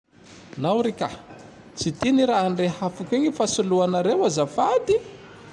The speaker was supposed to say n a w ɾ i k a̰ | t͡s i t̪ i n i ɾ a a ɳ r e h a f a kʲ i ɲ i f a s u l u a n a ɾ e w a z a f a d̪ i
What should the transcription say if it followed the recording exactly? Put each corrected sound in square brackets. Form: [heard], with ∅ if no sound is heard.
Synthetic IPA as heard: n a w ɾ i k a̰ | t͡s i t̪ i n i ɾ a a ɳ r e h a f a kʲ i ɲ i f a s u l u a n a ɾ e w a z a f a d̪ i